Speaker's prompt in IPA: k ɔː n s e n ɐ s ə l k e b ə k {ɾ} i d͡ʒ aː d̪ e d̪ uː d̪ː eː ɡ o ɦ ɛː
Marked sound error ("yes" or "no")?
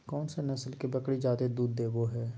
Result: yes